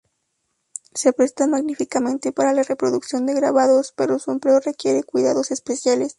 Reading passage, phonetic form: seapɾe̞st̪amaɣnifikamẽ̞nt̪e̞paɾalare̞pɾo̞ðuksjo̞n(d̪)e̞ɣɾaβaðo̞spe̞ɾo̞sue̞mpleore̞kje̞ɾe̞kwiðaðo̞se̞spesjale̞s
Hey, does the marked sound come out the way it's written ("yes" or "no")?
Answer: yes